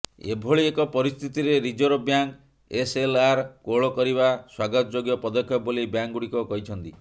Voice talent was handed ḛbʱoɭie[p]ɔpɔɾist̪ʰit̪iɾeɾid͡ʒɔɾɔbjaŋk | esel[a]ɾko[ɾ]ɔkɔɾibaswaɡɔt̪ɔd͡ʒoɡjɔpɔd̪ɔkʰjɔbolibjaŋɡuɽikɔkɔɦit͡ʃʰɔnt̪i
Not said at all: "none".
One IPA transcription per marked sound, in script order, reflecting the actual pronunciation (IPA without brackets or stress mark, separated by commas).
k, a, ɭ